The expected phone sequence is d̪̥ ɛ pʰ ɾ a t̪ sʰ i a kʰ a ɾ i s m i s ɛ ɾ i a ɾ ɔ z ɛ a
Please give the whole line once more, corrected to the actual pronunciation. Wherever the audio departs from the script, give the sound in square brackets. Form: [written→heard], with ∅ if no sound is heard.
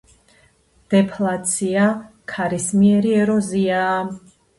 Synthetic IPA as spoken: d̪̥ ɛ pʰ [ɾ→l] a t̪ sʰ i a kʰ a ɾ i s m i [s→∅] ɛ ɾ i [a→ɛ] ɾ ɔ z [ɛ→i] a